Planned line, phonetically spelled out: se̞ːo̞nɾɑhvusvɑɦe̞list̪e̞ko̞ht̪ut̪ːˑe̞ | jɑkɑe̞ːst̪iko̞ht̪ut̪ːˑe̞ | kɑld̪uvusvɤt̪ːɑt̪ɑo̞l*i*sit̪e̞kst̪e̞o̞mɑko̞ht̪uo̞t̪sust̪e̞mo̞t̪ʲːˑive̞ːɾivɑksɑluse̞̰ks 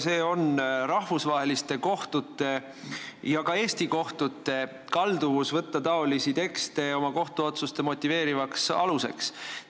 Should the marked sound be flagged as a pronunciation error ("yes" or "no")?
no